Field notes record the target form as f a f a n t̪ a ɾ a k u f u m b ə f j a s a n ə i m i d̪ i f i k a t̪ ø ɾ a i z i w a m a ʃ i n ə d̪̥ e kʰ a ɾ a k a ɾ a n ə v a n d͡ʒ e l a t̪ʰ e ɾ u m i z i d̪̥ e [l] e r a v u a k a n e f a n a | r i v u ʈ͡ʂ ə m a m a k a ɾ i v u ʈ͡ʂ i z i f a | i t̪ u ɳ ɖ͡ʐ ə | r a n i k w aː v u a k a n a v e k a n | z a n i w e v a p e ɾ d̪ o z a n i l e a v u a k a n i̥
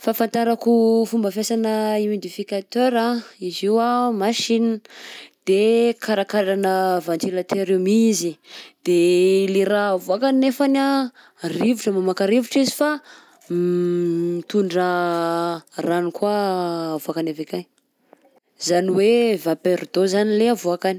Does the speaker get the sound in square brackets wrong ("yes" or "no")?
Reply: no